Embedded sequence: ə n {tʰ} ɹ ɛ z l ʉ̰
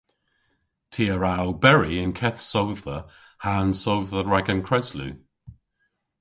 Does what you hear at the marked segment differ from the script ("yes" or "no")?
yes